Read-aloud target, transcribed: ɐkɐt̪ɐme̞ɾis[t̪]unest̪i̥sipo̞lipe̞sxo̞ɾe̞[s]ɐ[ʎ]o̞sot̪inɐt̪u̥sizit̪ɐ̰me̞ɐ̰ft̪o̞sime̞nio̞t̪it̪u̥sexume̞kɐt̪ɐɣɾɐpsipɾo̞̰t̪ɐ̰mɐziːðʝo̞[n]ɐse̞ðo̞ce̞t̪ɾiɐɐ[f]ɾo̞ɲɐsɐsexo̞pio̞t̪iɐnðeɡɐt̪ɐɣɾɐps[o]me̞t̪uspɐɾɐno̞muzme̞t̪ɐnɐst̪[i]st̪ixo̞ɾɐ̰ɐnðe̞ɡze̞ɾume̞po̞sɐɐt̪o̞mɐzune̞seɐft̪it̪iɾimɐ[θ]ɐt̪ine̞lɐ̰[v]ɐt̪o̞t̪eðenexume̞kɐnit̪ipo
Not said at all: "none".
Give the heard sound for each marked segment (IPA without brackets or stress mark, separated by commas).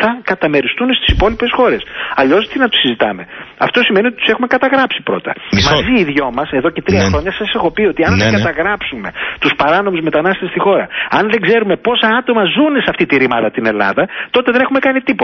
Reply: t̪, s, ʎ, m, x, u, e, ð, ð